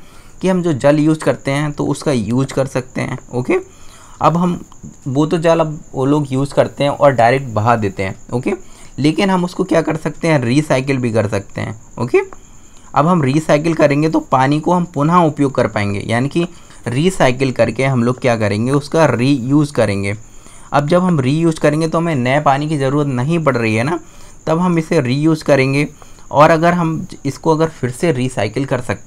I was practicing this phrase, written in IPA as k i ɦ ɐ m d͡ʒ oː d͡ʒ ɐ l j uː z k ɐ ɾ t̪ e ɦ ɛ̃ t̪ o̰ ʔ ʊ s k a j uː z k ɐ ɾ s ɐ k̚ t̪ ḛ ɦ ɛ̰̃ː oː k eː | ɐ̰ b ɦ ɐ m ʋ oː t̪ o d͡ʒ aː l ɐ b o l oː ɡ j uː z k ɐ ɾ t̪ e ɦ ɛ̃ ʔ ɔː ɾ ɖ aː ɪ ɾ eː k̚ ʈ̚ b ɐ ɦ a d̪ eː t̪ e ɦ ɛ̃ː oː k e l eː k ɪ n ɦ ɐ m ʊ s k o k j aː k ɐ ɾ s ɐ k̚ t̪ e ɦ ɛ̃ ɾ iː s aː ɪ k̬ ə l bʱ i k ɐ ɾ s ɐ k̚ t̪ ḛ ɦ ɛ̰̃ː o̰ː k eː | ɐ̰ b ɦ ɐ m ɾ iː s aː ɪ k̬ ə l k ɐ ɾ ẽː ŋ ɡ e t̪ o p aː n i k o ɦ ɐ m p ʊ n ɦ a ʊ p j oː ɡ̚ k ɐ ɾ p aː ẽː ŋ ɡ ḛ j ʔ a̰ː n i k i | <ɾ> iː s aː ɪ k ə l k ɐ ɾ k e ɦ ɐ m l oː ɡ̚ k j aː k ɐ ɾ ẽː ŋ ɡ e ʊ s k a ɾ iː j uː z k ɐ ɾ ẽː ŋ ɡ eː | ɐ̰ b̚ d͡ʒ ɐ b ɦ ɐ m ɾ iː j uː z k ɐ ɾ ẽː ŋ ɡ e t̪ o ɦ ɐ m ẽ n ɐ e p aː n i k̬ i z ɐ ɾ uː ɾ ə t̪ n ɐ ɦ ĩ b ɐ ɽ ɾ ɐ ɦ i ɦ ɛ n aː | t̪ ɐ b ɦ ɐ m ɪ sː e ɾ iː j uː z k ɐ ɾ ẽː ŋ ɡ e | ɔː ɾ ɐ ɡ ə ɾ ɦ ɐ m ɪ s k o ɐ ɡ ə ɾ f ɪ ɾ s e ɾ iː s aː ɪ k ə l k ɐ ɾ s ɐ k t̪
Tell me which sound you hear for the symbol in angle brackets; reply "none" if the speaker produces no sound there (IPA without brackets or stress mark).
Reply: ɾ